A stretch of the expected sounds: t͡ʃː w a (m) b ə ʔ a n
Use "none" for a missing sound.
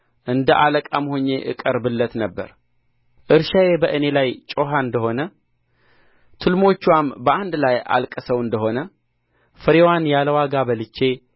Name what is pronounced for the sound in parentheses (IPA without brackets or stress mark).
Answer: m